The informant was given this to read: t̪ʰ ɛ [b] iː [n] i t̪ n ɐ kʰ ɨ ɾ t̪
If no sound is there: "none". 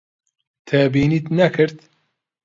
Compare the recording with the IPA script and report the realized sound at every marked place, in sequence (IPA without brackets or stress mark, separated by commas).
b, n